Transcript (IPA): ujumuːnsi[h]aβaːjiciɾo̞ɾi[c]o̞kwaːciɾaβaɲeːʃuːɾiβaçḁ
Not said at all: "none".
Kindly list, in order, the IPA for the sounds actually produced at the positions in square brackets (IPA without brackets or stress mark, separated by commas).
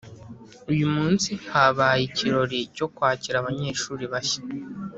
h, c